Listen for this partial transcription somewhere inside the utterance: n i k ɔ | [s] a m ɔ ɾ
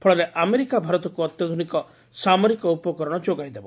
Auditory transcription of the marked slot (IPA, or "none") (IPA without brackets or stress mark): s